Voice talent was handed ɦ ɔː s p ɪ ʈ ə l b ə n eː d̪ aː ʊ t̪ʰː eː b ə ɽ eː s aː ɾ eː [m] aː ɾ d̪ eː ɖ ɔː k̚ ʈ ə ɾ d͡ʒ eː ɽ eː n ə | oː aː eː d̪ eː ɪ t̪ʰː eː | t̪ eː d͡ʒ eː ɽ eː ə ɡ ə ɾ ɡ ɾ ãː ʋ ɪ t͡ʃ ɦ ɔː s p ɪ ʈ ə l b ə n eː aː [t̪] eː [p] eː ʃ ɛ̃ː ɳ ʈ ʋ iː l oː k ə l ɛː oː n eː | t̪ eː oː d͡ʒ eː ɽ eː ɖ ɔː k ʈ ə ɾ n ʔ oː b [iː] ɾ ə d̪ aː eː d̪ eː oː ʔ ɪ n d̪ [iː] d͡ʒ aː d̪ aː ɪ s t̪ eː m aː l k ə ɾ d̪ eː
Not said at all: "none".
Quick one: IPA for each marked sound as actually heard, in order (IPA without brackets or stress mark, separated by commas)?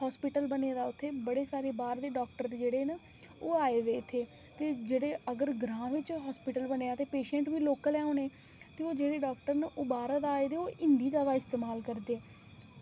b, t̪, p, aː, iː